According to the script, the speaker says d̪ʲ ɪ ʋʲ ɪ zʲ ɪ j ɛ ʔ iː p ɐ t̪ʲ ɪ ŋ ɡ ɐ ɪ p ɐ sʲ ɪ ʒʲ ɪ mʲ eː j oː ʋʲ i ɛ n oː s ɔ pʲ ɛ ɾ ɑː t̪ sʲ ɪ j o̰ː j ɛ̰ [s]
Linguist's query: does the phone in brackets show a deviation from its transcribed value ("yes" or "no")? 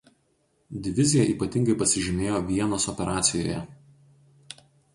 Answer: yes